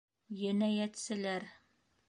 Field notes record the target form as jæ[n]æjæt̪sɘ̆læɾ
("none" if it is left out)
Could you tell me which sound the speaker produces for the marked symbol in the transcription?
n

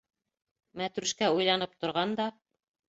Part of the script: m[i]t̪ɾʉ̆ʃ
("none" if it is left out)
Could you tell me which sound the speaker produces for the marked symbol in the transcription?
æ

